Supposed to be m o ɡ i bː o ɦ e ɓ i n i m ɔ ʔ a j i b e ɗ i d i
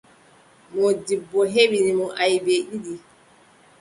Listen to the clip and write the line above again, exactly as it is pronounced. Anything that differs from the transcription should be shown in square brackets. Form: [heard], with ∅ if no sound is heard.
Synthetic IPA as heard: m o [d] i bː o ɦ e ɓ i n i m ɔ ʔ a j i b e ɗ i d i